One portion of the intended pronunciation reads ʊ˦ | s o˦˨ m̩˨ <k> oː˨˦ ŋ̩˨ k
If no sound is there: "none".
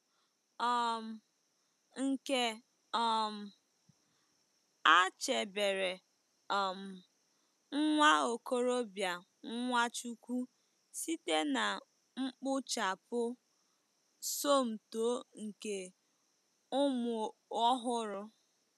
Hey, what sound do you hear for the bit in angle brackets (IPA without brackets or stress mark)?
t